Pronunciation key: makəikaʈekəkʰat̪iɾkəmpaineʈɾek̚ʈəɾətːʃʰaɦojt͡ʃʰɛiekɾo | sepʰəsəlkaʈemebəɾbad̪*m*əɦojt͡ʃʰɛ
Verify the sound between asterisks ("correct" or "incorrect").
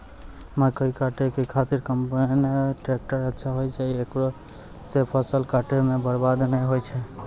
incorrect